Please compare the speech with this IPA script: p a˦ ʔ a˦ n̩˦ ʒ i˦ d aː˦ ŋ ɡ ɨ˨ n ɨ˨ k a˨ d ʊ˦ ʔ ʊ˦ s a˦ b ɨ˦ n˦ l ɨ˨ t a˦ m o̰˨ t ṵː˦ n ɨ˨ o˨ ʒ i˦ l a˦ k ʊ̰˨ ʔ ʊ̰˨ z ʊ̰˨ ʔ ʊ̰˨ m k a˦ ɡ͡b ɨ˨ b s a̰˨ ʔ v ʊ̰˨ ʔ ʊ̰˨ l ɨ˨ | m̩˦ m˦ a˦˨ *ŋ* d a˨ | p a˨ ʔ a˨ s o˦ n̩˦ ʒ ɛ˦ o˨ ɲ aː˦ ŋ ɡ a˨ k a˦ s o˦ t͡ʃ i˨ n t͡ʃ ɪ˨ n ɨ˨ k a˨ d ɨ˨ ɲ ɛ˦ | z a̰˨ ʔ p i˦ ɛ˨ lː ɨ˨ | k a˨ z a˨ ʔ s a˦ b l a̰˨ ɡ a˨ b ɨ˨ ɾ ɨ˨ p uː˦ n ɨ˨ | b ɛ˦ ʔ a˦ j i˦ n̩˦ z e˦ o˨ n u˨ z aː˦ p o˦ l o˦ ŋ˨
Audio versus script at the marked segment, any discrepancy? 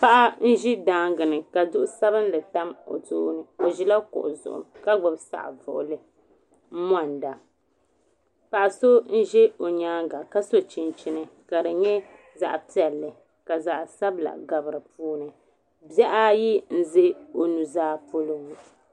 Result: yes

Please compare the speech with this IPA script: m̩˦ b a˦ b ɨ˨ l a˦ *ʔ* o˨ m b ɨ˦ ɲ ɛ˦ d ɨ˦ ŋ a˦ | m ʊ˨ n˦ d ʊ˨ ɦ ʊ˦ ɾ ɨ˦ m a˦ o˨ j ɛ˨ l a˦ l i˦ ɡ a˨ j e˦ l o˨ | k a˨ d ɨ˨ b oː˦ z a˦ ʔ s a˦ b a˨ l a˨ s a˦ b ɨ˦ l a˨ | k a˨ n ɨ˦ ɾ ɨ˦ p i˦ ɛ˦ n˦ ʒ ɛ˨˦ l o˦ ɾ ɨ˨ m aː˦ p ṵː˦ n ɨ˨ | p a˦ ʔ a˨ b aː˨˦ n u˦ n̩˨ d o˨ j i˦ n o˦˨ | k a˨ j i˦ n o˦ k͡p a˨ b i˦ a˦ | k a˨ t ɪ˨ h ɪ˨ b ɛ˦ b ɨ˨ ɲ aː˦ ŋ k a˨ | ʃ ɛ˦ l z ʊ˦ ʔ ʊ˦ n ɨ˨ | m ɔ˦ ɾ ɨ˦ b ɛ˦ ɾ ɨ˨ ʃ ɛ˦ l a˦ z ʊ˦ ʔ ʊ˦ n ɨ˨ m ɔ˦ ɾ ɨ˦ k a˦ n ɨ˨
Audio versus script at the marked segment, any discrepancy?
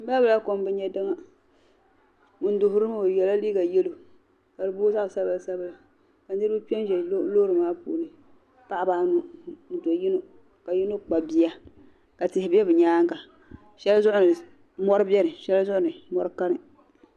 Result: yes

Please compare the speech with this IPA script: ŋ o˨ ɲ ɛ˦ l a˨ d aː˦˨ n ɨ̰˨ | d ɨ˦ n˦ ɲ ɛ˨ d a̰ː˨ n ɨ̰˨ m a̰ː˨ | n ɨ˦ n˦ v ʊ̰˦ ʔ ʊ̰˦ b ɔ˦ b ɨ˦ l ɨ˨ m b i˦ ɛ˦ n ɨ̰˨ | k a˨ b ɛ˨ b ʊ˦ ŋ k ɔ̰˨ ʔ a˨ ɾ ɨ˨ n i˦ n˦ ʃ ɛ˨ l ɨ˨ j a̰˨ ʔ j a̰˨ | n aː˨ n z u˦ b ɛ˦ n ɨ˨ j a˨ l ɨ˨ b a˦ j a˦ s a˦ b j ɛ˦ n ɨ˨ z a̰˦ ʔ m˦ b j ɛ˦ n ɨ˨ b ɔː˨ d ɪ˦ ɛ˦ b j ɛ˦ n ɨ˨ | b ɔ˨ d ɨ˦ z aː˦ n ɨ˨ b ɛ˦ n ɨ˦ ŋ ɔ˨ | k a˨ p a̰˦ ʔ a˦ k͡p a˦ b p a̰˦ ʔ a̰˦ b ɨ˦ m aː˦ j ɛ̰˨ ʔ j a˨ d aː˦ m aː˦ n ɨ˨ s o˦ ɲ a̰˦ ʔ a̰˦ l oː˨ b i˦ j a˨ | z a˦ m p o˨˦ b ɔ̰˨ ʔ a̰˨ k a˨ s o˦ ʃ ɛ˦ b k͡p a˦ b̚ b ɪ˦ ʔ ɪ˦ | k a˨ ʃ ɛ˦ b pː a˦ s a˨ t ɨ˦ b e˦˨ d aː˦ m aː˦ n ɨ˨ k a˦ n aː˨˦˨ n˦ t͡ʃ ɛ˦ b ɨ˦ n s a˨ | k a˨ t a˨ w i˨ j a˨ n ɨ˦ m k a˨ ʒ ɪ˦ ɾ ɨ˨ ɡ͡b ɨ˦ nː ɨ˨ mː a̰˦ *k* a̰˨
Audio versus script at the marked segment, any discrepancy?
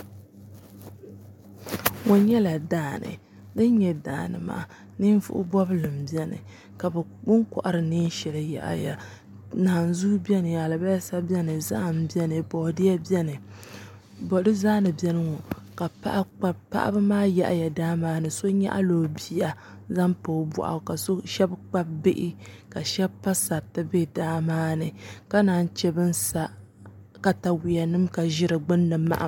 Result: yes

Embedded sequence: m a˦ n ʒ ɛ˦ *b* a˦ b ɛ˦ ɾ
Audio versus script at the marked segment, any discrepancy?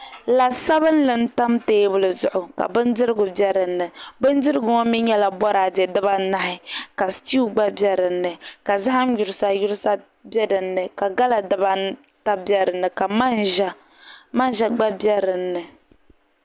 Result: yes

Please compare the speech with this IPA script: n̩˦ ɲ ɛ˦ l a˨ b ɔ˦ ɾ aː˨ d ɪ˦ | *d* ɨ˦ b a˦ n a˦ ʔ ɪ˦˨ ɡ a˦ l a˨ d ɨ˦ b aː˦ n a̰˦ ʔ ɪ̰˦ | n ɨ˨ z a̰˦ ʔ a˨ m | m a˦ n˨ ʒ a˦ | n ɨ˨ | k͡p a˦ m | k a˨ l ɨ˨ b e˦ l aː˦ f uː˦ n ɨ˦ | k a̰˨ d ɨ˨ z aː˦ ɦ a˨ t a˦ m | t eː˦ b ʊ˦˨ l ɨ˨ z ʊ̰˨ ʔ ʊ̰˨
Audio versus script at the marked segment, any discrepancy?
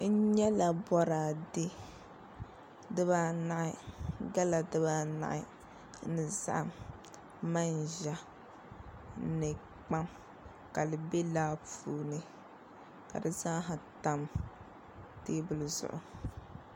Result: no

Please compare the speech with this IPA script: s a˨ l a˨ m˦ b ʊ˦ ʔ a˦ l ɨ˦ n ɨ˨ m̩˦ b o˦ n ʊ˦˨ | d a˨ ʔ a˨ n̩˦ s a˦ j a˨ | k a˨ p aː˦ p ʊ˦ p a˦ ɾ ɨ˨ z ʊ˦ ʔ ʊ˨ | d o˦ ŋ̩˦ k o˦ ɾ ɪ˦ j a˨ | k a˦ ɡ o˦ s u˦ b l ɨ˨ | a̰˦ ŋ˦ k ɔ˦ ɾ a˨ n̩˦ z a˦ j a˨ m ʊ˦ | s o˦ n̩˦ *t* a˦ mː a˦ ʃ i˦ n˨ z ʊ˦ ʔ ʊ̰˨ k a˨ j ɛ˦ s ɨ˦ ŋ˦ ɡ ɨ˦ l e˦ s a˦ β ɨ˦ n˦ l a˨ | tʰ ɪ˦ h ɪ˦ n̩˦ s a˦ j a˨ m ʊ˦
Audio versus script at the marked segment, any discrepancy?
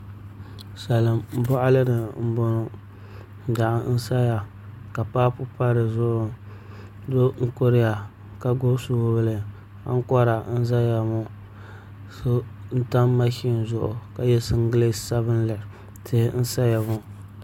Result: no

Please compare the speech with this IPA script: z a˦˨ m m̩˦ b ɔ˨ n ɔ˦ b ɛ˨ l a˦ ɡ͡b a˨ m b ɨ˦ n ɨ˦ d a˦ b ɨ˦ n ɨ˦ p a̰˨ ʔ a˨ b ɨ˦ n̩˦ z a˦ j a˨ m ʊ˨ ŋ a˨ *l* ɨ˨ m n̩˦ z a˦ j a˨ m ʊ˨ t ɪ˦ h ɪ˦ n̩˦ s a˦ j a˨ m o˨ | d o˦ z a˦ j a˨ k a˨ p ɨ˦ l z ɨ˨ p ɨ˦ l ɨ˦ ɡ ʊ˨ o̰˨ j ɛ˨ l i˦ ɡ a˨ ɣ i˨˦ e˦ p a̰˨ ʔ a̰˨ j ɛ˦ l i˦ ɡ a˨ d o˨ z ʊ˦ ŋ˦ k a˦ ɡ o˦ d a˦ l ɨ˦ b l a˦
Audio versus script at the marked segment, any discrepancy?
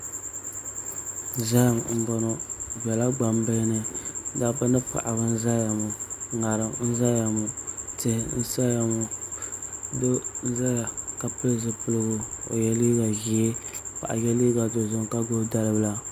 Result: yes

